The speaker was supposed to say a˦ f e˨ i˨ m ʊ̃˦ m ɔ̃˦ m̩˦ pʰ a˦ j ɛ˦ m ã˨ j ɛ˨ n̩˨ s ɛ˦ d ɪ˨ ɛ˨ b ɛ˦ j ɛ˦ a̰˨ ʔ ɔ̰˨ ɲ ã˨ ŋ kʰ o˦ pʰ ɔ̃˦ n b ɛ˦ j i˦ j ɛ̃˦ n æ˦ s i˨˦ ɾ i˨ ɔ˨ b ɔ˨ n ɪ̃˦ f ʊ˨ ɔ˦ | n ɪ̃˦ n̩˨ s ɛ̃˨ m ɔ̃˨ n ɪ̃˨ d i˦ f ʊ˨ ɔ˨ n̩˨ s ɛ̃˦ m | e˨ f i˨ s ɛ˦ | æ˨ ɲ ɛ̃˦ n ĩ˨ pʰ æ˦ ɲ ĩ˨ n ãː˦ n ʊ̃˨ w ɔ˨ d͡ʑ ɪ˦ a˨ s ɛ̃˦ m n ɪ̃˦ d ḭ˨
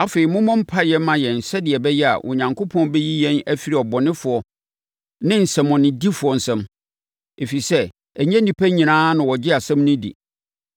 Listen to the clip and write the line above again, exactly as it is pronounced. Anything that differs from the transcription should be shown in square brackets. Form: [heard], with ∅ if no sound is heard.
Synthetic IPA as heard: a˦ f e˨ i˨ m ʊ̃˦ m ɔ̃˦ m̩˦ pʰ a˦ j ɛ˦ m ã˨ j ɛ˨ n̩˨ s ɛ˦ d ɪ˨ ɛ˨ b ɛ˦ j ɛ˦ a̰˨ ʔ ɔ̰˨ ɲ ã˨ ŋ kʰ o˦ pʰ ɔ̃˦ n b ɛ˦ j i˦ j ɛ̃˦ n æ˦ [f] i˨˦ ɾ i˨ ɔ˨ b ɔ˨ n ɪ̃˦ f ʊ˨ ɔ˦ | n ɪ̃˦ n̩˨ s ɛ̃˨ m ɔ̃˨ n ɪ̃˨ d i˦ f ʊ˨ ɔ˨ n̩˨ s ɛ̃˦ m | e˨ f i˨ s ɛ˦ | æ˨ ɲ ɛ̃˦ n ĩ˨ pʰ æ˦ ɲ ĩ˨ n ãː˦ n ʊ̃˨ w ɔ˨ d͡ʑ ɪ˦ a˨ s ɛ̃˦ m n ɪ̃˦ d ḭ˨